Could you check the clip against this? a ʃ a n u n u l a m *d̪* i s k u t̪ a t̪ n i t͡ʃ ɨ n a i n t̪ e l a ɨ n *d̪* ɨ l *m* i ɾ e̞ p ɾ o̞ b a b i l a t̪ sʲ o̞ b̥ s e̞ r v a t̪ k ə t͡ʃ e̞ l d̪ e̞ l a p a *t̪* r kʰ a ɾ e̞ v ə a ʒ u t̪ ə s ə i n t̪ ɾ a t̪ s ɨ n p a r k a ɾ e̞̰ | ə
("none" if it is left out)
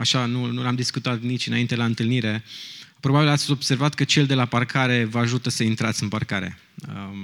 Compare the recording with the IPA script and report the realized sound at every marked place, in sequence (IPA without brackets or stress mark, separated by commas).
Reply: d̪, t̪, n, none